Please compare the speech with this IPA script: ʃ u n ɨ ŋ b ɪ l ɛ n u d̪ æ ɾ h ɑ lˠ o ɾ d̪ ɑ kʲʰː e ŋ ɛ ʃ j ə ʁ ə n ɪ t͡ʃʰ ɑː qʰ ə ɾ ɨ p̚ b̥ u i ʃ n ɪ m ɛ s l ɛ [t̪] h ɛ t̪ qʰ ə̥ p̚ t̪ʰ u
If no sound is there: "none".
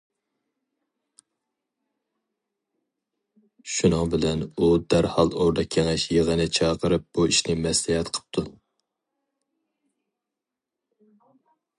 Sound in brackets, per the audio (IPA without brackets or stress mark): none